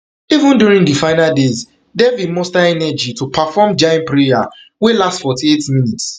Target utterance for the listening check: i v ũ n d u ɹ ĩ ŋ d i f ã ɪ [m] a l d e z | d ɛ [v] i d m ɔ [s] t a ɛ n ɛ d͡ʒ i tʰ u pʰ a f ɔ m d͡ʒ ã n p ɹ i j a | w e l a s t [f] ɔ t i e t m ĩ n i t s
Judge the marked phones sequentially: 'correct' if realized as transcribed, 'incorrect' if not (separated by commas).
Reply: incorrect, correct, correct, correct